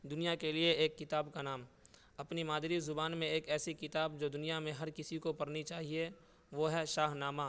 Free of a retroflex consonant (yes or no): yes